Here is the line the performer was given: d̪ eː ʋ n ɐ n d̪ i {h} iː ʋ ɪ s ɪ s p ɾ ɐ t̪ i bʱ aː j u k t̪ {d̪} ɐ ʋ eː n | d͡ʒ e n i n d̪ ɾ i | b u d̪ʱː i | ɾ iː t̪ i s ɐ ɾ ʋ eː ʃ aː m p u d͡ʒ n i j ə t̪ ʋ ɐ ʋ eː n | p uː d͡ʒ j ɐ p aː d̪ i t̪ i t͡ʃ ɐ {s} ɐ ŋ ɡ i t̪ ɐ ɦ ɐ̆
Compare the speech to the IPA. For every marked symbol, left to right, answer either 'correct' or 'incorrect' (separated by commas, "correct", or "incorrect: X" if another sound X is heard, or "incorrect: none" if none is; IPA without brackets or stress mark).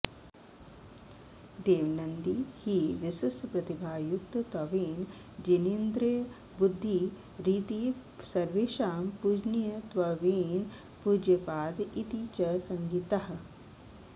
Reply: correct, incorrect: t̪, correct